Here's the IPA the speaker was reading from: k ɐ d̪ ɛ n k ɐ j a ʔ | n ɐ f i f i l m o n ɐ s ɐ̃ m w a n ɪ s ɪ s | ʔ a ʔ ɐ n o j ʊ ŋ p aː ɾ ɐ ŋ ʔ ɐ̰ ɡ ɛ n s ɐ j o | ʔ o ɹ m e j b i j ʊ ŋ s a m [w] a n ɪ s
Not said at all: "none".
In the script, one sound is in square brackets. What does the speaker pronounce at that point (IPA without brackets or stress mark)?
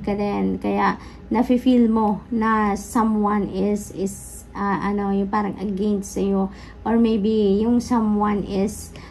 w